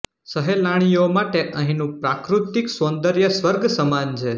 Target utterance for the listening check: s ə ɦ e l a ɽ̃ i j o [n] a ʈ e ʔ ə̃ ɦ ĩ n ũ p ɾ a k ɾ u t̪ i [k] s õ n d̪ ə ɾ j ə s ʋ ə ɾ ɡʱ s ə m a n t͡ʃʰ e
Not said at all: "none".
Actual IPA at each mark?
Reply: m, k

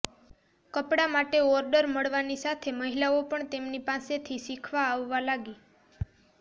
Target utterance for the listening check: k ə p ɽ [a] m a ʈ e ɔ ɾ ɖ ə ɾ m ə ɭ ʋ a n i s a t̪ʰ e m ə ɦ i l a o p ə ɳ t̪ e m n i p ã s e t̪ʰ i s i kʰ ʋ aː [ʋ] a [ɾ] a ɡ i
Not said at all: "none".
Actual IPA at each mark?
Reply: a, ʋː, l

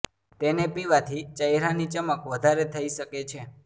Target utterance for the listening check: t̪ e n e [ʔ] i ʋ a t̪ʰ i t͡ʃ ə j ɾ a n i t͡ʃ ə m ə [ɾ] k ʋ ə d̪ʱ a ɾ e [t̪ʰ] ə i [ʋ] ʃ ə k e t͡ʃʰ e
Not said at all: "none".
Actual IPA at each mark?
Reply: p, none, t̪ʰ, none

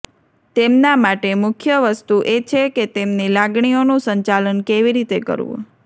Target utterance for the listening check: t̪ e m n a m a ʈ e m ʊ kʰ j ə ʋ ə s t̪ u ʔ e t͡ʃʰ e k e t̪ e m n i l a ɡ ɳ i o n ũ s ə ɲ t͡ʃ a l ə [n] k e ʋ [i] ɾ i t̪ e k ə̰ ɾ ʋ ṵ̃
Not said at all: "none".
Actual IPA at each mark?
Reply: n, i

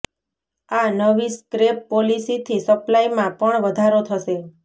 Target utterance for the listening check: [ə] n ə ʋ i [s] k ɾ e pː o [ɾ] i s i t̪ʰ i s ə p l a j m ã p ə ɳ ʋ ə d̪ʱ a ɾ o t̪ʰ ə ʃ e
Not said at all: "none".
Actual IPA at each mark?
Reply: a, s, l

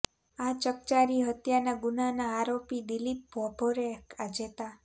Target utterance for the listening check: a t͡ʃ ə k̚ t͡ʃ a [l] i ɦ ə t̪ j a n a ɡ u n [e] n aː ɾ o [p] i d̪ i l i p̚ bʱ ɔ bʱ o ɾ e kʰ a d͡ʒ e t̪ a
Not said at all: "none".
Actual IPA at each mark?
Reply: ɾ, a, p

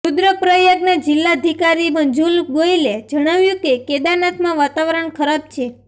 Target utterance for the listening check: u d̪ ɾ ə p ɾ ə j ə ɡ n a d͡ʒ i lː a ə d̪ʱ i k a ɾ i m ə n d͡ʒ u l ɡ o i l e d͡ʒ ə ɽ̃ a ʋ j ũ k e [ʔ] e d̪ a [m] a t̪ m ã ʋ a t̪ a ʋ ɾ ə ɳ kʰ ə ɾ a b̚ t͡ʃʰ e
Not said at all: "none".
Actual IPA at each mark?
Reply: k, n

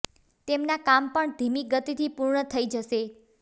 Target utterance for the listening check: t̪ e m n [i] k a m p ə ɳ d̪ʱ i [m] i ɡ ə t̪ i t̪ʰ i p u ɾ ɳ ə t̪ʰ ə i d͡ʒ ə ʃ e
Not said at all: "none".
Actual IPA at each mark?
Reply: a, m

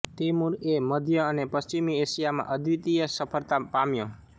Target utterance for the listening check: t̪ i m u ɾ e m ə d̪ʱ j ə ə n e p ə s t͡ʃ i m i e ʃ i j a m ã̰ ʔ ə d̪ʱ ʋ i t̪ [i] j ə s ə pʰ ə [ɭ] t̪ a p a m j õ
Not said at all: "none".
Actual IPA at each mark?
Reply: i, ɾ

